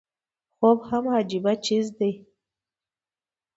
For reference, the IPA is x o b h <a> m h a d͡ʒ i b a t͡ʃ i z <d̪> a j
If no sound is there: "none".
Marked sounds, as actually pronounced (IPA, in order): a, d̪

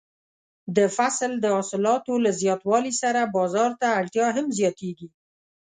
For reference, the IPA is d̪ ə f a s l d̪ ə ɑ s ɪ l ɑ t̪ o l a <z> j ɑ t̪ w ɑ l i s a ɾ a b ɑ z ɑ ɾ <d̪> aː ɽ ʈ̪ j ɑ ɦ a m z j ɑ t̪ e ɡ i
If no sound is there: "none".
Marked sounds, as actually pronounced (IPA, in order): z, t̪

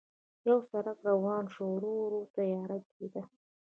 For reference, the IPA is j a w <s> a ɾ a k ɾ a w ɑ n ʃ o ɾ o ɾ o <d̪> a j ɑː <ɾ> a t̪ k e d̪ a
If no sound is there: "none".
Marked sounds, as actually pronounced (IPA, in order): s, t̪, ɾ

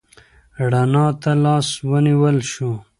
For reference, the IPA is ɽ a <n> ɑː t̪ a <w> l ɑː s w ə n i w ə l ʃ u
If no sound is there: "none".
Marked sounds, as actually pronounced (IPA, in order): n, none

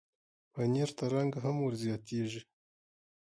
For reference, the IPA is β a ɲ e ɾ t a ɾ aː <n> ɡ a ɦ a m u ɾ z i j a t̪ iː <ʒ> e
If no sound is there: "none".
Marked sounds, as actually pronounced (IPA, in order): ŋ, ʒ

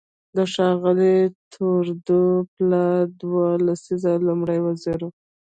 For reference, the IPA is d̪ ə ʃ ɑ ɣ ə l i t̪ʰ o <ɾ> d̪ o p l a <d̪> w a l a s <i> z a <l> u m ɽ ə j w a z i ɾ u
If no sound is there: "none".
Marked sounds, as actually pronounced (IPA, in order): ɾ, d̪, i, l

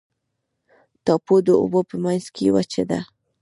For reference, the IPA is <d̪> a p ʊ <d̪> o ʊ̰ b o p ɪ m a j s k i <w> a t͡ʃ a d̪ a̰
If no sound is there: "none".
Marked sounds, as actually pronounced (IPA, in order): t̪, d̪, w

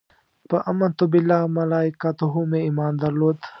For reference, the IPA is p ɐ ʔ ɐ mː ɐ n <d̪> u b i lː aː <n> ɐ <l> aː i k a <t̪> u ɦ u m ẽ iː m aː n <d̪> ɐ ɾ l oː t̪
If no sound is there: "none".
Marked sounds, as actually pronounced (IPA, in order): t̪, m, l, t̪, d̪

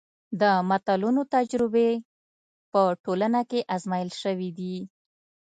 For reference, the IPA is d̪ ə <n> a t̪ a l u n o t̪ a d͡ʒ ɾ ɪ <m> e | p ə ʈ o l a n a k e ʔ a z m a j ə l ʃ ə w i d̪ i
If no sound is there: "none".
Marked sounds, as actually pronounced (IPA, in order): m, b

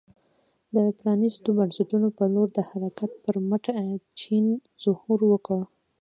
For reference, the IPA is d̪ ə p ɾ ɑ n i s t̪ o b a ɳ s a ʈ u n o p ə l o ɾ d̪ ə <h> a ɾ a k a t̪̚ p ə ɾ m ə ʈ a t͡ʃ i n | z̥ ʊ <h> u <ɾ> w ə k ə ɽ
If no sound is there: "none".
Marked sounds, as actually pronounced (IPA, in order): h, h, ɾ

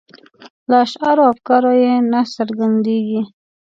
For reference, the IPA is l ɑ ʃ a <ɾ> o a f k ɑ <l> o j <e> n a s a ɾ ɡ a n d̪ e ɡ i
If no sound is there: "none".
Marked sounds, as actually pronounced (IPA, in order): ɾ, ɾ, e

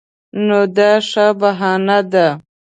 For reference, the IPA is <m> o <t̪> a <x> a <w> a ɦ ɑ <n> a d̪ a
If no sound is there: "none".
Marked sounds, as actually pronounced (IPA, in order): n, d̪, ʂ, b, n

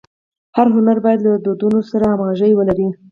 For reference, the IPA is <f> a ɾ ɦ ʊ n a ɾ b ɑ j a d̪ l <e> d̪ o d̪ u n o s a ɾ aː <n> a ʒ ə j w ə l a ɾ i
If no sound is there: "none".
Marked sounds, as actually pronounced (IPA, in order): h, a, m

